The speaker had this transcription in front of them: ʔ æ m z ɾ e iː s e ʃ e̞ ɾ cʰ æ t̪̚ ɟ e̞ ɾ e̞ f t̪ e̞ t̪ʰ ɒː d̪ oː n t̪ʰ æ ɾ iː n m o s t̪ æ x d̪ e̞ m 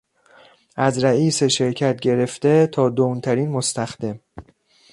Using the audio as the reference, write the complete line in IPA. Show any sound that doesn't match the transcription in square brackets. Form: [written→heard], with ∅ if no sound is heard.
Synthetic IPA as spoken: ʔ æ [m→∅] z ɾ [e→æ] iː s e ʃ e̞ ɾ cʰ æ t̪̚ ɟ e̞ ɾ e̞ f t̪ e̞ t̪ʰ ɒː d̪ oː n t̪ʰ æ ɾ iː n m o s t̪ æ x d̪ e̞ m

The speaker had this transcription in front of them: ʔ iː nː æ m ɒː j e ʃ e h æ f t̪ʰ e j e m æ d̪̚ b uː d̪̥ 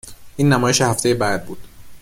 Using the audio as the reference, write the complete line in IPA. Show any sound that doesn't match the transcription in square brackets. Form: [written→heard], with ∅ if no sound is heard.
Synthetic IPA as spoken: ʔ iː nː æ m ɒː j e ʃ e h æ f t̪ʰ e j e [m→b] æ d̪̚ b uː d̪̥

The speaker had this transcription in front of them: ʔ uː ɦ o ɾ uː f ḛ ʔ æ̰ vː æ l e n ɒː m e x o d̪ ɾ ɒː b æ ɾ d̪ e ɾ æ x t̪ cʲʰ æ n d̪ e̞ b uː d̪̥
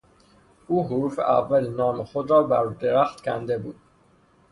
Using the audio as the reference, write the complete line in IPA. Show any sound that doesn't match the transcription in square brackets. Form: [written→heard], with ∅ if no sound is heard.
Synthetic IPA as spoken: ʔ uː ɦ o ɾ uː f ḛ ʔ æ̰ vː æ l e n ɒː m e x o d̪ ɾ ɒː b æ ɾ d̪ e ɾ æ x t̪ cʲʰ æ n d̪ e̞ b uː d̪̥

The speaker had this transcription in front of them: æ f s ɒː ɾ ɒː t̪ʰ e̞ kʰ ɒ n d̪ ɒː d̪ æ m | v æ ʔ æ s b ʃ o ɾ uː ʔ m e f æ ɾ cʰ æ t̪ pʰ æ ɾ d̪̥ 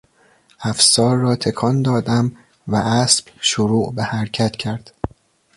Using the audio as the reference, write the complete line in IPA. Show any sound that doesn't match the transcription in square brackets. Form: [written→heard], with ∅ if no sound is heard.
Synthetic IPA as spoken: æ f s ɒː [ɾ→ɾː] ɒː t̪ʰ e̞ kʰ ɒ n d̪ ɒː d̪ æ m | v æ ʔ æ s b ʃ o ɾ uː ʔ [m→b] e [f→h] æ ɾ cʰ æ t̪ [pʰ→cʰ] æ ɾ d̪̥

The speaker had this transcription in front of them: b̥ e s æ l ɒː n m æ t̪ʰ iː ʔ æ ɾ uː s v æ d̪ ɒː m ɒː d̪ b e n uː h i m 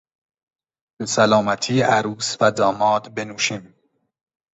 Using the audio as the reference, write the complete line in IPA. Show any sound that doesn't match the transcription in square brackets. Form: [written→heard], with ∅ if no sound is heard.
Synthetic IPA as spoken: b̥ e s æ l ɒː [n→∅] m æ t̪ʰ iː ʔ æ ɾ uː s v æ d̪ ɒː m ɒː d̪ b e n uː [h→ʃ] i m

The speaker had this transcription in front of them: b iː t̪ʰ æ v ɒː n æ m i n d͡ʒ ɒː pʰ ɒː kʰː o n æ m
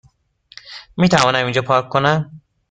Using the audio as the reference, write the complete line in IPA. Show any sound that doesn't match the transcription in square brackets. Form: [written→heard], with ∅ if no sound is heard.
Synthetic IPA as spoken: [b→m] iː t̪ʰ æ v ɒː n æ m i n d͡ʒ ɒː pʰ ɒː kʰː o n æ m

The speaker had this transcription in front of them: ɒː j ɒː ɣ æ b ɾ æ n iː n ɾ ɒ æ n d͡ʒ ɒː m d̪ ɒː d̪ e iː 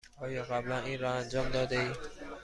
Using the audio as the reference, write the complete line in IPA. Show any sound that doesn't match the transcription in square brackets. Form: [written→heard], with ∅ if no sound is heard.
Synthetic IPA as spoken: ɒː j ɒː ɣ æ b [ɾ→l] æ n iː n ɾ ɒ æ n d͡ʒ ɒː m d̪ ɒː d̪ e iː

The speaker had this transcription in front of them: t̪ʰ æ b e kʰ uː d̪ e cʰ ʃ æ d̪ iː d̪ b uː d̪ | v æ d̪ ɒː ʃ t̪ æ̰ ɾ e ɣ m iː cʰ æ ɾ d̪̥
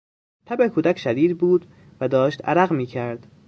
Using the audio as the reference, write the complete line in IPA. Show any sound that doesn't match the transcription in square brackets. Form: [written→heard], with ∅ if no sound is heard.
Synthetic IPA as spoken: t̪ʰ æ b e kʰ uː d̪ [e→æ] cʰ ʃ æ d̪ iː d̪ b uː d̪ | v æ d̪ ɒː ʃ t̪ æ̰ ɾ [e→æ] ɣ m iː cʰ æ ɾ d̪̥

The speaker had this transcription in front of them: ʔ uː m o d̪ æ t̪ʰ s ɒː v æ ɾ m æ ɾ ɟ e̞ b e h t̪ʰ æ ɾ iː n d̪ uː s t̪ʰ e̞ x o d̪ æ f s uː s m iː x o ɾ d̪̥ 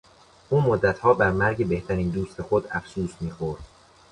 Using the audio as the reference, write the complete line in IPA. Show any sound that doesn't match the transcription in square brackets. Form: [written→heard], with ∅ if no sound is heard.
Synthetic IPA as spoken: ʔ uː m o [d̪→d̪ː] æ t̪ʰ [s→h] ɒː [v→b] æ ɾ m æ ɾ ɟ e̞ b e h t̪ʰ æ ɾ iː n d̪ uː s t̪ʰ e̞ x o d̪ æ f s uː s m iː x o ɾ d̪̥

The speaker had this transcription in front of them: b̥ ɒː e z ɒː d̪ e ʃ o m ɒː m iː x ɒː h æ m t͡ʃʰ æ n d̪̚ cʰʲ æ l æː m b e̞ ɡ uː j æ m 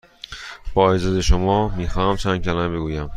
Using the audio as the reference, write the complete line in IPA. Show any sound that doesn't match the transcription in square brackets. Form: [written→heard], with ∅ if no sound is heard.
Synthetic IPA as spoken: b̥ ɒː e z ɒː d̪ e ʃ o m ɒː m iː x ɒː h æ m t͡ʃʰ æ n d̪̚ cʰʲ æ l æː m b e̞ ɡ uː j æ m

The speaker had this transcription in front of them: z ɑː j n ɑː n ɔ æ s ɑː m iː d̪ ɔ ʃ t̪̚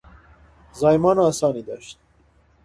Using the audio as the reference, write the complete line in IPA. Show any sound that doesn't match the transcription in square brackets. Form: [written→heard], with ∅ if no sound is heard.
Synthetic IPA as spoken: z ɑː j [n→m] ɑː n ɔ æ s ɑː [m→n] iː d̪ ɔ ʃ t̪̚

